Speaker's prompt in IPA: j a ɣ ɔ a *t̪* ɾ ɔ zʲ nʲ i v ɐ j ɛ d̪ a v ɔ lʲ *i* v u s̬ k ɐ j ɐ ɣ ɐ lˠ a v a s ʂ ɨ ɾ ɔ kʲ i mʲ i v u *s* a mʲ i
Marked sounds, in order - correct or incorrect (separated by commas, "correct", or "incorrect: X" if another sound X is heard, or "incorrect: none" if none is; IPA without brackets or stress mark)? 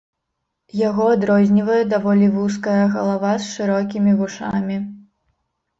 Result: incorrect: d̪, correct, incorrect: ʂ